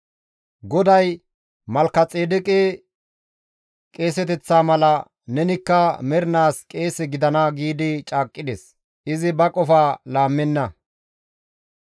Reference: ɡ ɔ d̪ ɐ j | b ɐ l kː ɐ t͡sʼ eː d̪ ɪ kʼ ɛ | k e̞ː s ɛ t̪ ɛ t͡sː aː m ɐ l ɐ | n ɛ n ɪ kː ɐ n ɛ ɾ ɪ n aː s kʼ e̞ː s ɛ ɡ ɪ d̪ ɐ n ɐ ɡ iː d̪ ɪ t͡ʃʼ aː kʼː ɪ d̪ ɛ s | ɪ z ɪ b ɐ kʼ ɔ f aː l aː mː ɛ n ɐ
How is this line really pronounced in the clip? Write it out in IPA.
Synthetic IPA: ɡ ɔ d̪ ɐ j | m ɐ l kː ɐ t͡sʼ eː d̪ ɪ kʼ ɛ | kʼ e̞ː s ɛ t̪ ɛ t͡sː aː m ɐ l ɐ | n ɛ n ɪ kː ɐ m ɛ ɾ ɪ n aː s kʼ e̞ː s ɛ ɡ ɪ d̪ ɐ n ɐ ɡ iː d̪ ɪ t͡ʃʼ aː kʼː ɪ d̪ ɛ s | ɪ z ɪ b ɐ kʼ ɔ f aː l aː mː ɛ nː ɐ